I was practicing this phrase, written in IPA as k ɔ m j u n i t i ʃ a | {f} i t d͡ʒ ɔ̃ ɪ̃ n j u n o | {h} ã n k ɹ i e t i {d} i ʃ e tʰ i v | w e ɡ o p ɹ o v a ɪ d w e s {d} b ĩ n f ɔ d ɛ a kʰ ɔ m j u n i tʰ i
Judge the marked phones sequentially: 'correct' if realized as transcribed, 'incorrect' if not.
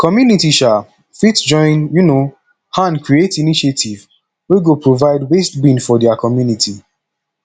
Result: correct, correct, incorrect, incorrect

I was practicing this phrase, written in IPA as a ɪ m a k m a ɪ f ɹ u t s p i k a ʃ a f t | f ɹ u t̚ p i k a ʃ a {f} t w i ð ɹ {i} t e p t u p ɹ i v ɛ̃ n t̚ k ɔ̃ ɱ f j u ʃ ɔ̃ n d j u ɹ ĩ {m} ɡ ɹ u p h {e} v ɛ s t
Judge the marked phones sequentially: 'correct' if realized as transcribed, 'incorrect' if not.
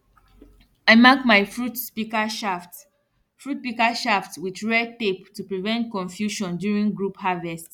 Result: correct, incorrect, incorrect, incorrect

